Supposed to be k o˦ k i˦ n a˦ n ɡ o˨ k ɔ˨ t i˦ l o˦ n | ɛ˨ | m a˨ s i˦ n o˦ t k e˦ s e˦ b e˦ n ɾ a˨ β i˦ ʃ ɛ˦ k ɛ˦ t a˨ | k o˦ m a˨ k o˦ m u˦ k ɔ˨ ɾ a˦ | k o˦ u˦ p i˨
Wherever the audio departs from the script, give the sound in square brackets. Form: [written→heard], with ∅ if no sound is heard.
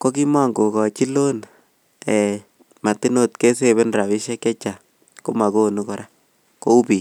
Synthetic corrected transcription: k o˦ k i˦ [n→m] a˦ [n→ŋ] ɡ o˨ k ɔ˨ [t→t͡ʃ] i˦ l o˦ n | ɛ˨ | m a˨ [s→t] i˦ n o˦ t k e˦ s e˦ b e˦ n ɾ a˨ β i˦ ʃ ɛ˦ k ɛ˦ [t→t͡ʃ] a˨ | k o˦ m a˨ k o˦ [m→n] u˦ k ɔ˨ ɾ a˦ | k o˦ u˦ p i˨